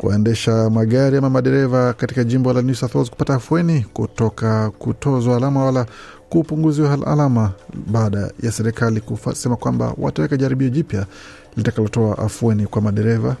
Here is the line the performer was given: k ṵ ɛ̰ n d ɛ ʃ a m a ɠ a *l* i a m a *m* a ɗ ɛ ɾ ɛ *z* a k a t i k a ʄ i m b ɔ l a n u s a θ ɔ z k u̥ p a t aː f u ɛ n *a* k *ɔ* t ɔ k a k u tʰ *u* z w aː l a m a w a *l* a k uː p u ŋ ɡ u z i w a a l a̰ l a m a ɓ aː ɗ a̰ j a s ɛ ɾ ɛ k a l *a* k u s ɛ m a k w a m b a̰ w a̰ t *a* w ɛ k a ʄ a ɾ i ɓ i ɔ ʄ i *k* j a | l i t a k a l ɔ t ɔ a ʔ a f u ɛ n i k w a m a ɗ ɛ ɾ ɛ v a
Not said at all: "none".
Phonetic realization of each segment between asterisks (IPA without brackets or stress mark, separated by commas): ɾ, m, v, i, u, ɔ, l, i, a, p